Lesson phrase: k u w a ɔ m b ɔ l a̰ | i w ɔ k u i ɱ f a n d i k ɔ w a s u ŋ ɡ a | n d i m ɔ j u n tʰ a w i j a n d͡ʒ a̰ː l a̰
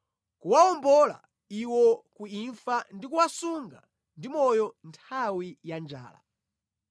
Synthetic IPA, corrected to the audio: k u w a ɔ m b ɔ l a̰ | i w ɔ k u i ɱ f a n d i k u w a s u ŋ ɡ a | n d i m ɔ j ɔ n tʰ a w i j a n d͡ʒ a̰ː l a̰